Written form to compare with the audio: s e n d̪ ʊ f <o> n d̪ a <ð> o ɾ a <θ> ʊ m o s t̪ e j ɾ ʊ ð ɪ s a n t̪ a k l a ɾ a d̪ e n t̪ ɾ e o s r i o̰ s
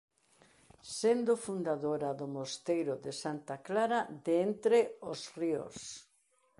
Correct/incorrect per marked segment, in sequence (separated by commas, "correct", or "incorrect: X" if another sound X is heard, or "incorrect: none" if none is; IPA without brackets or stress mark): incorrect: u, correct, incorrect: ð